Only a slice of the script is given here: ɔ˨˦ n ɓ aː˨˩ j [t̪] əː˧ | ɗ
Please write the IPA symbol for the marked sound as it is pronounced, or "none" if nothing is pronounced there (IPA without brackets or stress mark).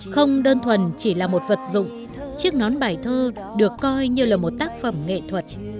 t̪ʰ